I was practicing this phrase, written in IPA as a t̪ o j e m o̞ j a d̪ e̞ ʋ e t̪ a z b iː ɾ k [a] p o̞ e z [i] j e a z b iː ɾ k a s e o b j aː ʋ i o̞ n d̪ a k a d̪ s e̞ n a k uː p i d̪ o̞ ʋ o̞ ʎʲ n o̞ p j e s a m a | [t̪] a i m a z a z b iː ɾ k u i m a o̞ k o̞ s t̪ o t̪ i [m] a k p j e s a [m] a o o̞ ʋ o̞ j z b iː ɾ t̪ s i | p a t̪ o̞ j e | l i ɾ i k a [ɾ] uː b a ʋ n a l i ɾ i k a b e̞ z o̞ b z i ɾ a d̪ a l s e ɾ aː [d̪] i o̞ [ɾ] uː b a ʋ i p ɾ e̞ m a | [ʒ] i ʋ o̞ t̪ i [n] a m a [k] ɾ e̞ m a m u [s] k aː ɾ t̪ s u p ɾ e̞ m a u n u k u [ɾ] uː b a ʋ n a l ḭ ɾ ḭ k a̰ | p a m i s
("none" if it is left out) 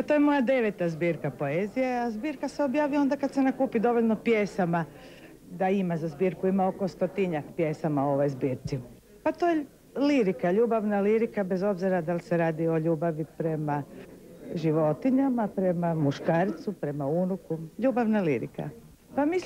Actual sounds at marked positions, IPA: a, i, d̪, ɲ, m, ʎ, d̪, ʎ, ʒ, ɲ, p, ʃ, ʎ

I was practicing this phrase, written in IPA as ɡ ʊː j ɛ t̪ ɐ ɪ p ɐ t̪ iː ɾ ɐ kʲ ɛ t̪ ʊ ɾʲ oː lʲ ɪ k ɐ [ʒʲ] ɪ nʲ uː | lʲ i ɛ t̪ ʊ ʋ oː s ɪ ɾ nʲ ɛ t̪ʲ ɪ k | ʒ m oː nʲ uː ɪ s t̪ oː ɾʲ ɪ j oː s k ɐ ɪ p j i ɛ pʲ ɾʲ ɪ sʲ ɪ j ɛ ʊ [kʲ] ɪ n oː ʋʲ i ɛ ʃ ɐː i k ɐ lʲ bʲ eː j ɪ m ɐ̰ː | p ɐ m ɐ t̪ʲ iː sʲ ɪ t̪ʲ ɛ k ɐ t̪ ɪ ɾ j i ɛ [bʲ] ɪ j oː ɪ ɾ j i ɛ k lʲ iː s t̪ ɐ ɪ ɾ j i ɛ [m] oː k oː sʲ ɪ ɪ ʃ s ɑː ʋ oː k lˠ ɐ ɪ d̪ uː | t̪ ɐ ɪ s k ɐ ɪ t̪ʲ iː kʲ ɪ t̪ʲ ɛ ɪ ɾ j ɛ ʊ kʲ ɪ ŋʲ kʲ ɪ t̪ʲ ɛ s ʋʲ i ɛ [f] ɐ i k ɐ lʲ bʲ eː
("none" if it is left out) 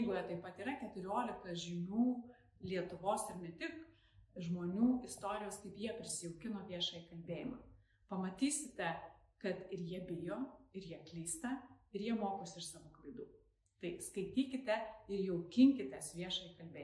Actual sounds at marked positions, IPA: ʒʲ, kʲ, bʲ, m, ʃ

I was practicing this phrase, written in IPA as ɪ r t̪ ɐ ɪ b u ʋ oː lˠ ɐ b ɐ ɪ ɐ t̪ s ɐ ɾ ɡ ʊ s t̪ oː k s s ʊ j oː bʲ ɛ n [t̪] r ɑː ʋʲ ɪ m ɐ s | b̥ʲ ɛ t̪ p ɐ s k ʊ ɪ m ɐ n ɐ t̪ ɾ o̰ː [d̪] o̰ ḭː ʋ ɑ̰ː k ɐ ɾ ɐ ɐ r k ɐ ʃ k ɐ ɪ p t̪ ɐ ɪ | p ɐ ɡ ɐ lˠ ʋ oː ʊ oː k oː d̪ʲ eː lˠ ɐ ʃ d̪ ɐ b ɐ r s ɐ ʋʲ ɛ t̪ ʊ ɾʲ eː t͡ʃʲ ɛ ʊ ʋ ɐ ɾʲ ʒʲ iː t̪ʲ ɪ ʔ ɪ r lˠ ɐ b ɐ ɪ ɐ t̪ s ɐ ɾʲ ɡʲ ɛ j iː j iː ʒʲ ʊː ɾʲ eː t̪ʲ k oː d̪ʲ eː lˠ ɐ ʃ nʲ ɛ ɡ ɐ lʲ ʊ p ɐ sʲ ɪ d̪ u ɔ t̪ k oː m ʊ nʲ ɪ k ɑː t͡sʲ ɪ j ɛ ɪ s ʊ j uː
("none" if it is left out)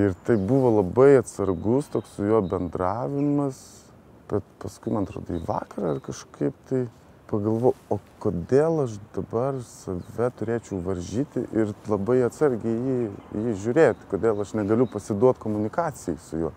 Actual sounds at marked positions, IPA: d̪, d̪

